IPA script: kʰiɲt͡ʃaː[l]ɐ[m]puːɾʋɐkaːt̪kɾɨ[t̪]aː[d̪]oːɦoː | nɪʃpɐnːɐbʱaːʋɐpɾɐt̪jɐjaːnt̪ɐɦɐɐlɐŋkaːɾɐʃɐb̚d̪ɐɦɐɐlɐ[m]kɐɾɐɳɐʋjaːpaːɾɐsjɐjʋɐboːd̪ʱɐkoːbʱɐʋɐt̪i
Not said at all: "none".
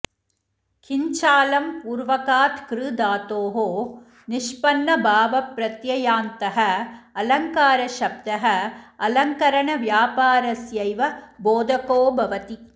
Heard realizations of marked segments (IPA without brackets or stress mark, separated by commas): l, m, d̪, t̪, ŋ